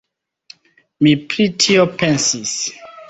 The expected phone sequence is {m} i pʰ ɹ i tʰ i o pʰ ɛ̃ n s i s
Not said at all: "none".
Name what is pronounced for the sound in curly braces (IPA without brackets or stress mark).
m